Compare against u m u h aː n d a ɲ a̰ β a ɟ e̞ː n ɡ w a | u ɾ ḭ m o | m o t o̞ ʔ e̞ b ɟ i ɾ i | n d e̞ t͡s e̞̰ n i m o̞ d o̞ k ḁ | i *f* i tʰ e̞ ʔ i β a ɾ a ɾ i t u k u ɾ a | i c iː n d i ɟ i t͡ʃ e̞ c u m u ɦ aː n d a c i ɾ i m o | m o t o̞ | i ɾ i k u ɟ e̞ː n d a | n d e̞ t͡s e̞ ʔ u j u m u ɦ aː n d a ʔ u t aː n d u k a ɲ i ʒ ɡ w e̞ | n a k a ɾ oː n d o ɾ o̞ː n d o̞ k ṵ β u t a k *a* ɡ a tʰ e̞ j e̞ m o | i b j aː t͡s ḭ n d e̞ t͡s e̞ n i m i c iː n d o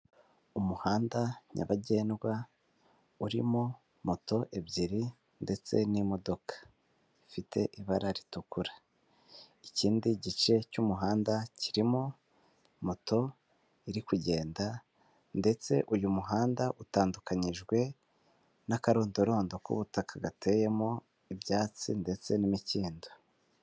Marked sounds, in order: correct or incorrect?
correct, correct

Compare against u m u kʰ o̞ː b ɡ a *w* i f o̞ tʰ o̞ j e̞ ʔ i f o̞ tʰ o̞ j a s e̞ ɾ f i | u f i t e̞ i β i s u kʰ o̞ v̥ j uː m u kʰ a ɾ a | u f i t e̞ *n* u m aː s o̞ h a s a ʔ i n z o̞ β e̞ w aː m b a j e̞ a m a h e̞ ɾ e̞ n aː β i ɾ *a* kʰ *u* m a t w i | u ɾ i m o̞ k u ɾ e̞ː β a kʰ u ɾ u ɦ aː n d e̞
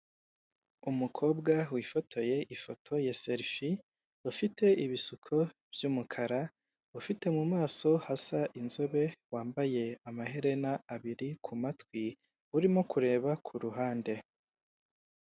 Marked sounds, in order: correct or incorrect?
correct, incorrect, incorrect, correct

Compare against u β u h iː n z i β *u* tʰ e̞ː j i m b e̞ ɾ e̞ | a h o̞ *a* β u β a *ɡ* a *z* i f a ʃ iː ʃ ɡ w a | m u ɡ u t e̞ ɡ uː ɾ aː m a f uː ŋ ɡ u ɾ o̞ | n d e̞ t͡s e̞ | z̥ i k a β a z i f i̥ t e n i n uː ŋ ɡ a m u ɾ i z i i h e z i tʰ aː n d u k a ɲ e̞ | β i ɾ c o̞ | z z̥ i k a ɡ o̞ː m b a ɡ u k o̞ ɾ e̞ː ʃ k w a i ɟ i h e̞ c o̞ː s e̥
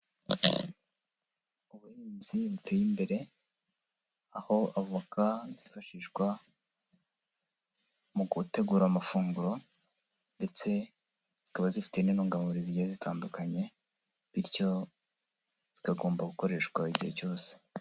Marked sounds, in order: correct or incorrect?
correct, correct, incorrect, correct

